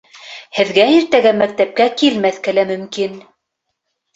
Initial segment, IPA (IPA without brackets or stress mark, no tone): h